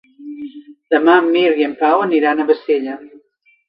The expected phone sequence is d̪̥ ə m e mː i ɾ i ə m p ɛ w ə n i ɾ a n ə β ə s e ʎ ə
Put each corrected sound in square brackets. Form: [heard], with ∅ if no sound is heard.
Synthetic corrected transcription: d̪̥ ə m [a] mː i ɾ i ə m p [a] w ə n i ɾ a n ə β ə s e ʎ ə